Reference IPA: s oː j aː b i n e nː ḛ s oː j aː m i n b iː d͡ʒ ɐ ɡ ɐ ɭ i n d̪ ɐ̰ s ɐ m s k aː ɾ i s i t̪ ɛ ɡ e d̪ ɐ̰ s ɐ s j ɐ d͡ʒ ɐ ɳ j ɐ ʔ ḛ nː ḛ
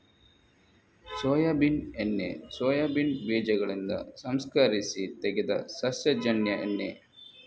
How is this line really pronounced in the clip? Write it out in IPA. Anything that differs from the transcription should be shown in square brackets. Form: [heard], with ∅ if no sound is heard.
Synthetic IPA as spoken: s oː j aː b i n e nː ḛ s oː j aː [b] i n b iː d͡ʒ ɐ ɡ ɐ ɭ i n d̪ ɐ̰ s ɐ m s k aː ɾ i s i t̪ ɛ ɡ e d̪ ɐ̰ s ɐ s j ɐ d͡ʒ ɐ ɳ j ɐ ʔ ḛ nː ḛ